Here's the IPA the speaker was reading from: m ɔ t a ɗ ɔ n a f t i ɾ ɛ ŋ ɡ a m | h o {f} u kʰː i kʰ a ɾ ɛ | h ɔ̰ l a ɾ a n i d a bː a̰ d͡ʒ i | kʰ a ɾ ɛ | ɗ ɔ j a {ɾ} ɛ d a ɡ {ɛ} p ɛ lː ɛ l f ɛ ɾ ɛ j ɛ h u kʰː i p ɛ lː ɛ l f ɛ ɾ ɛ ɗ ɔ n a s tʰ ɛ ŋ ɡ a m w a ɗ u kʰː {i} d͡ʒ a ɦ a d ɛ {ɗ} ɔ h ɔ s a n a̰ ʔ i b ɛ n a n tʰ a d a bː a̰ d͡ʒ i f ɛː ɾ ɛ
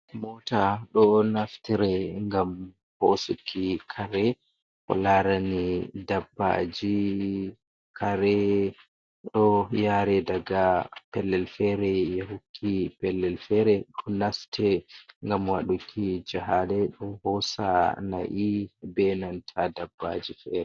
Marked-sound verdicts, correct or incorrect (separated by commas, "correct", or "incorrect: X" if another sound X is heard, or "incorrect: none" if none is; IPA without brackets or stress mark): incorrect: s, correct, incorrect: a, correct, correct